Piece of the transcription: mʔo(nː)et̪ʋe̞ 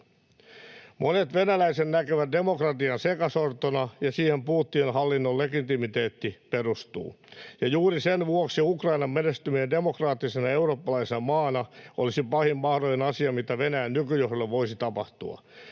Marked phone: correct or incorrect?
incorrect: n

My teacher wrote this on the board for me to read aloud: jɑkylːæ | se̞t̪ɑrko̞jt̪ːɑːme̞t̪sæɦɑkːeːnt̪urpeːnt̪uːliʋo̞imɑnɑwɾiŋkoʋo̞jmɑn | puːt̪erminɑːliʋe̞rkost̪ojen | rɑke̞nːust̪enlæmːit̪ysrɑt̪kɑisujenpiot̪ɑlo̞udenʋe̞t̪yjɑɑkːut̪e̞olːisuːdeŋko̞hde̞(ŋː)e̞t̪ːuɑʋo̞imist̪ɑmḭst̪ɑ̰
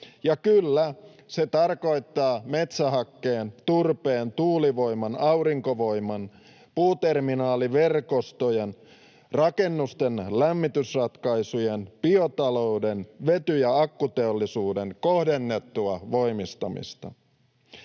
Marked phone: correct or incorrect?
incorrect: nː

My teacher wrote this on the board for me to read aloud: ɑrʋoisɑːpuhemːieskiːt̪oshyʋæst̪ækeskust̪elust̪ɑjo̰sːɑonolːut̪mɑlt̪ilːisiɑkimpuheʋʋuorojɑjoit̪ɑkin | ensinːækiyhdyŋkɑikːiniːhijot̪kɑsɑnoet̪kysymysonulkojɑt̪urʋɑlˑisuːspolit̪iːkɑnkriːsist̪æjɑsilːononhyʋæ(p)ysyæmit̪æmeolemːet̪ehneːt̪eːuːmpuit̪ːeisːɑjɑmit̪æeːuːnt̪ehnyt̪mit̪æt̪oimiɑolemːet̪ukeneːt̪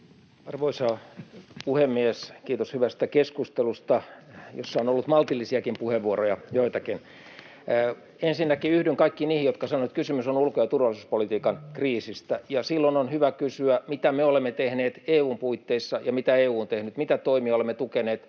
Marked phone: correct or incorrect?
incorrect: k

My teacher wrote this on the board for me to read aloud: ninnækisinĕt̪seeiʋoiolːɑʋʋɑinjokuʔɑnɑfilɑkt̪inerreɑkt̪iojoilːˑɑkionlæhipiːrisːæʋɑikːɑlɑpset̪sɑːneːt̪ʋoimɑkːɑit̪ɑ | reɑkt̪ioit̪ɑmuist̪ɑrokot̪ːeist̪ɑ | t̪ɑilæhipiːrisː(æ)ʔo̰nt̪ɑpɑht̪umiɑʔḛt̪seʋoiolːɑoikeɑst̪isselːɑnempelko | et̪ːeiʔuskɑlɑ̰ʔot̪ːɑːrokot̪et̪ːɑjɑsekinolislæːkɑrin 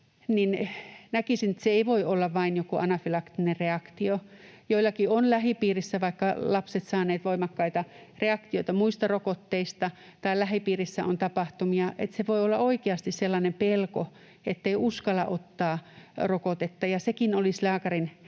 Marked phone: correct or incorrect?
correct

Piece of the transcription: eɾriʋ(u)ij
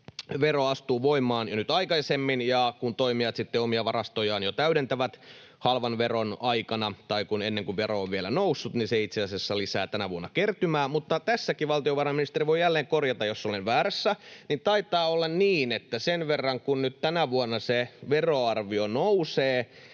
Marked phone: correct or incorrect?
incorrect: o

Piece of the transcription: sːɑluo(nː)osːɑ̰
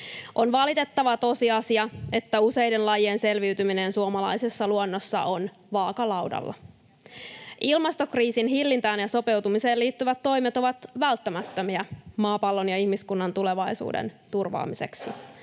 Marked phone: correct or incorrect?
correct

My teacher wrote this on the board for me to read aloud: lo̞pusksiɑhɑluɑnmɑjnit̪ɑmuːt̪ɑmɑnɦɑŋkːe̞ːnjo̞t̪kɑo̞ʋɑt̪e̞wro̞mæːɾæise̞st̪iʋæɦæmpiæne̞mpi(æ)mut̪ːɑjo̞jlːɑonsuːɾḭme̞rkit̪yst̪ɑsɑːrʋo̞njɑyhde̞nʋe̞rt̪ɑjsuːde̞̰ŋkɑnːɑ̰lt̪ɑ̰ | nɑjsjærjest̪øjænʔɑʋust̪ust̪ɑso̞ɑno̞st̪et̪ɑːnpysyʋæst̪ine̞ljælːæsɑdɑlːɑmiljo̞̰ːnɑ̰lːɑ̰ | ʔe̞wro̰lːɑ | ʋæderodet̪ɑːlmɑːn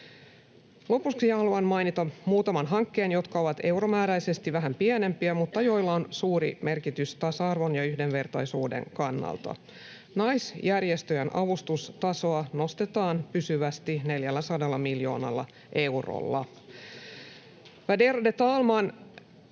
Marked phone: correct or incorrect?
correct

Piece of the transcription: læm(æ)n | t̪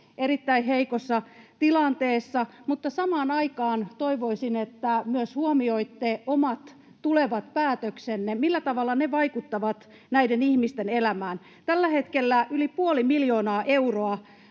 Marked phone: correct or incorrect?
incorrect: æː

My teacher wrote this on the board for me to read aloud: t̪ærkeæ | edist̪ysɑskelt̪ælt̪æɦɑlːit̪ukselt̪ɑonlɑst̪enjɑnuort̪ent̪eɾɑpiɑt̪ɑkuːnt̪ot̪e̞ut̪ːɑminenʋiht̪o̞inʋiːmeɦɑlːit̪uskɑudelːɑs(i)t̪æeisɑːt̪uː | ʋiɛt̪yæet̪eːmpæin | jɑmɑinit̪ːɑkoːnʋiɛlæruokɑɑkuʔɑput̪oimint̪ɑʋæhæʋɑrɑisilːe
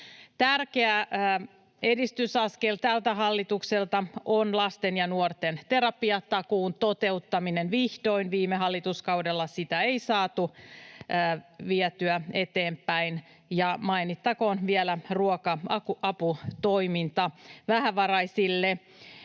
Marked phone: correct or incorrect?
correct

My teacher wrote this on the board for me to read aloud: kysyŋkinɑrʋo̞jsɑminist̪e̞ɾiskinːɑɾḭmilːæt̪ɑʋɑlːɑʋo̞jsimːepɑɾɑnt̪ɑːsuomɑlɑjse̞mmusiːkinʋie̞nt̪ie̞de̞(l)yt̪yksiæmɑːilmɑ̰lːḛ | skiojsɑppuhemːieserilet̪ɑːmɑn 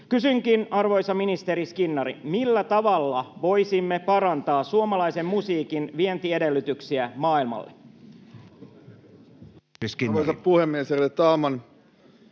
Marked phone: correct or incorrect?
incorrect: lː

